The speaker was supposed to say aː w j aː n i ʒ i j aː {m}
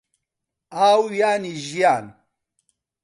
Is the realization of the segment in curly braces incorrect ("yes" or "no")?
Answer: yes